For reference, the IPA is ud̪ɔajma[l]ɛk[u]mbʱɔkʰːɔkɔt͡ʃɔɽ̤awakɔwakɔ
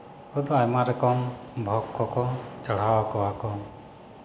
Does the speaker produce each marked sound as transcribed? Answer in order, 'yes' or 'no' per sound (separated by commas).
no, no